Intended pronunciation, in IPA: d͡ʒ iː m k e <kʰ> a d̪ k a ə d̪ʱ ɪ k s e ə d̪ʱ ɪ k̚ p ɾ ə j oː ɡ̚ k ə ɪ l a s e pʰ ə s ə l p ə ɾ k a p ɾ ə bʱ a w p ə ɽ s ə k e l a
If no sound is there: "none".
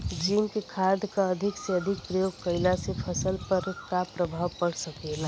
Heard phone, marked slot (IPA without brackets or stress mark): kʰ